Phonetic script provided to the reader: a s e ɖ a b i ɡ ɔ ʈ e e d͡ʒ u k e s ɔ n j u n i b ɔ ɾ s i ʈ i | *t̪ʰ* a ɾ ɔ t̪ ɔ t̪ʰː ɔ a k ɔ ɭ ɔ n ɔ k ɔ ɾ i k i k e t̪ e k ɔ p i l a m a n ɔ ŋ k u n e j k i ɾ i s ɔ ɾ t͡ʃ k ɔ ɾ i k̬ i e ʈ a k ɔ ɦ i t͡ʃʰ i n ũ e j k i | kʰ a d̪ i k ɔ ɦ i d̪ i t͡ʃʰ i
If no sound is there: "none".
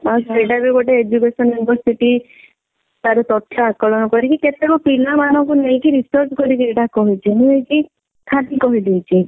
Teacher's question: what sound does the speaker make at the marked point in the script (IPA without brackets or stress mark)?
t̪